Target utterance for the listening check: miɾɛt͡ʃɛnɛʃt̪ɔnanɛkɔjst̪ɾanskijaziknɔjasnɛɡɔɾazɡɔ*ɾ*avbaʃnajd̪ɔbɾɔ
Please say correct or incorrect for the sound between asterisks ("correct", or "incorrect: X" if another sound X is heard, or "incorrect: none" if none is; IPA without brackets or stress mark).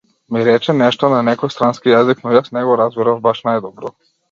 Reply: correct